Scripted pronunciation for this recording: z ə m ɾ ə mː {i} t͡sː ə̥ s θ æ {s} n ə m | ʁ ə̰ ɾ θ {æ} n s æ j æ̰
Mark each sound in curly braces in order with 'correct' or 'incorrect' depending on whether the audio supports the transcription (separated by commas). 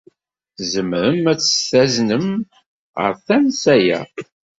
incorrect, incorrect, correct